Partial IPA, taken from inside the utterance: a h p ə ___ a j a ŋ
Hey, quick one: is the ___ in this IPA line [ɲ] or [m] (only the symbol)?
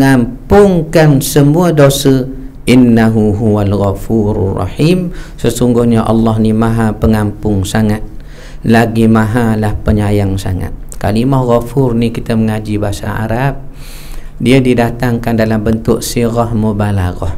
ɲ